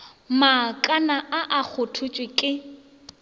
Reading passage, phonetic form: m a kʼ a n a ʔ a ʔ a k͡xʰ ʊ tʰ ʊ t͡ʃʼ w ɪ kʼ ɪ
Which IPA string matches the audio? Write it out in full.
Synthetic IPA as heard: m a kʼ a n a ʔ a ʔ a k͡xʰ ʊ tʰ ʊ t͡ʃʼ w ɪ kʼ ɪ